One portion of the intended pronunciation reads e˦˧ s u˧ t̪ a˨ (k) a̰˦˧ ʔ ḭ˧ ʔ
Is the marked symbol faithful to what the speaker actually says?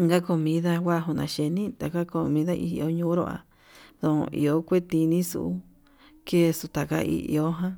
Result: yes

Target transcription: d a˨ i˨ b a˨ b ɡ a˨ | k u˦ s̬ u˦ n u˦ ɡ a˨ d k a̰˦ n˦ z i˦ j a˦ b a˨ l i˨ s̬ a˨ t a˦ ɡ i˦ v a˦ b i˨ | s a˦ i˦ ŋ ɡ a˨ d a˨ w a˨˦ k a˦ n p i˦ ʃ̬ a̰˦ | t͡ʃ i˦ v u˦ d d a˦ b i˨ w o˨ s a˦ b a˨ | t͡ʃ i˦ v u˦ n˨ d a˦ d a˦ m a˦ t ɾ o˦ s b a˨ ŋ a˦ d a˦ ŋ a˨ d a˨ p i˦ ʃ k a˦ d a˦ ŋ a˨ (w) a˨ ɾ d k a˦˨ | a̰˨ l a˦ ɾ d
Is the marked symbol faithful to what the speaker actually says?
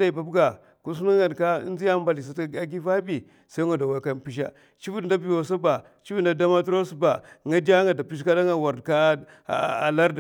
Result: yes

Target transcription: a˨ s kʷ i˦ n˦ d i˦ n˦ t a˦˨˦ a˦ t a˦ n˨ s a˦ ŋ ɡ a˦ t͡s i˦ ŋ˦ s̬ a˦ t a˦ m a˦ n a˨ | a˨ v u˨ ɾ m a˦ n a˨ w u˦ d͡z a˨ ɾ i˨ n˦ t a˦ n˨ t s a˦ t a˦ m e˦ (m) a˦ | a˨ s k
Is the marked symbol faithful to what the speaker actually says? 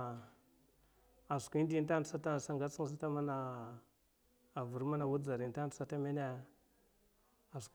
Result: no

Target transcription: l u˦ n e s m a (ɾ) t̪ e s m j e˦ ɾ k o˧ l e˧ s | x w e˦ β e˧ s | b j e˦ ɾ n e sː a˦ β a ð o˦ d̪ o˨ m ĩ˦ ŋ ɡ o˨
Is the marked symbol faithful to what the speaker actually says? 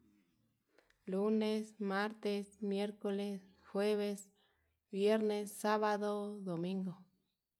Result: yes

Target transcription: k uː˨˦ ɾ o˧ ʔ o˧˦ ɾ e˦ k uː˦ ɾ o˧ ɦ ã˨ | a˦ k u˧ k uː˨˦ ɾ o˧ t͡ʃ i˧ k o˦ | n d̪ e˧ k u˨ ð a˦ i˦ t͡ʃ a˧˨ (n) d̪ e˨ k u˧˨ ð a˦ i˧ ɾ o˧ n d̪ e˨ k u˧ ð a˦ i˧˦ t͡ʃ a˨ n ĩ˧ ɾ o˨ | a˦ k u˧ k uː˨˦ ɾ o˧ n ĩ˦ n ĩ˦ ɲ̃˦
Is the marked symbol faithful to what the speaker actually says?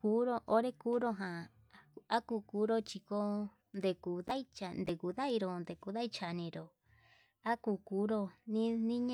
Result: yes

